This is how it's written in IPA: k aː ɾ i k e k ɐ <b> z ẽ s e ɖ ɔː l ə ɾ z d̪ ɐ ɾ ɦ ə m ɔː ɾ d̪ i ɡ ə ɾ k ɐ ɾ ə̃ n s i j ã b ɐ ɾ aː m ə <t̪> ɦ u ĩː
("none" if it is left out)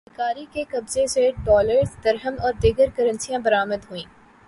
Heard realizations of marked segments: b, d̪

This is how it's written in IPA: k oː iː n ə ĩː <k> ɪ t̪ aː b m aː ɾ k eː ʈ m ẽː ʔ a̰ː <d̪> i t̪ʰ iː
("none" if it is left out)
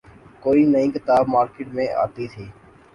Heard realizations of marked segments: k, t̪

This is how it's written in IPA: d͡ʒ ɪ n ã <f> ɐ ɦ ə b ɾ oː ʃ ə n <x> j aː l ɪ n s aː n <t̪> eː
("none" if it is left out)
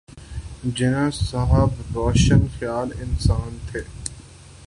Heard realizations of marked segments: s, x, t̪ʰ

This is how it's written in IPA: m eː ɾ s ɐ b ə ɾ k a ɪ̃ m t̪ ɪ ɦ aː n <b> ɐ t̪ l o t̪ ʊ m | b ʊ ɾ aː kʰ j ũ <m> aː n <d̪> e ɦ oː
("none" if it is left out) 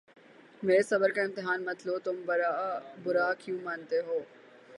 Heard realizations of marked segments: m, m, t̪

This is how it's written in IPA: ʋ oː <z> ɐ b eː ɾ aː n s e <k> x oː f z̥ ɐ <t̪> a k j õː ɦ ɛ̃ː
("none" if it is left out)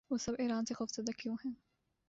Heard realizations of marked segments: s, none, d̪

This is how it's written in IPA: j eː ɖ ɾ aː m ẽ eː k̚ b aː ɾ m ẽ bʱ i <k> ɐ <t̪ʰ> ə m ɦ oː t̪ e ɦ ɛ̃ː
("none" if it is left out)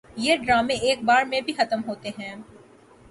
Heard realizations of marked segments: x, t̪

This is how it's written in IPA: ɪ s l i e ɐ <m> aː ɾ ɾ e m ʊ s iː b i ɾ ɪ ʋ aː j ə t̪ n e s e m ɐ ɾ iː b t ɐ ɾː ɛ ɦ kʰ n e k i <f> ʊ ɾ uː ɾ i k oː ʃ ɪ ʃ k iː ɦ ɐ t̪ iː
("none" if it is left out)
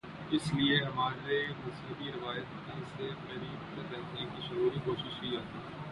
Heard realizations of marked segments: m, ʃ

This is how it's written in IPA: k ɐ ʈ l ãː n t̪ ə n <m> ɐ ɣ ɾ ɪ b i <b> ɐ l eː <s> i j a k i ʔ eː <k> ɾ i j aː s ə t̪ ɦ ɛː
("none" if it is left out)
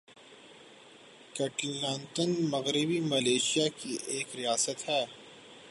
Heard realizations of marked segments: m, m, ʃ, k

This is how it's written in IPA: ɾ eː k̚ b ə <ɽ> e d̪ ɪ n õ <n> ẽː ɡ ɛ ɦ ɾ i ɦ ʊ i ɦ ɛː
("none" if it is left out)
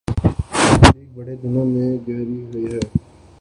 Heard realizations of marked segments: ɽ, m

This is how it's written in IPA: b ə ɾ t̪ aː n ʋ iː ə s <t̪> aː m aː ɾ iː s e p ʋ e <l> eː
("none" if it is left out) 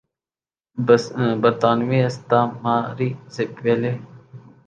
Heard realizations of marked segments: t̪, l

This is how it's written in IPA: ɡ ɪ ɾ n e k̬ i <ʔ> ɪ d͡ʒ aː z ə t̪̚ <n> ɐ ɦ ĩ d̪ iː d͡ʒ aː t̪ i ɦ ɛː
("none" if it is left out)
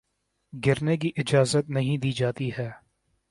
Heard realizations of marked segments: ʔ, n

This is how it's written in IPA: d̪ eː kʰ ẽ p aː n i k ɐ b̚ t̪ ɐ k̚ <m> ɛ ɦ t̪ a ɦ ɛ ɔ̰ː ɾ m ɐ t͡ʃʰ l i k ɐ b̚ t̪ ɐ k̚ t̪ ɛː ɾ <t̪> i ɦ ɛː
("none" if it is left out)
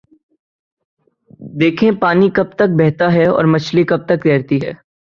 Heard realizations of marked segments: b, t̪

